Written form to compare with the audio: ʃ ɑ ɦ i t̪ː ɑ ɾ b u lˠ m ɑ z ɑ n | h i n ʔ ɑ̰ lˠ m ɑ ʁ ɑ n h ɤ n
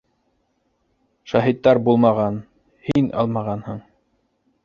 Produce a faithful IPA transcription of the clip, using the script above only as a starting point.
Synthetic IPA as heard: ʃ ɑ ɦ i t̪ː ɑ ɾ b u lˠ m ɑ ʁ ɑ n | h i n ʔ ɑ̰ lˠ m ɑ ʁ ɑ n h ɤ ɴ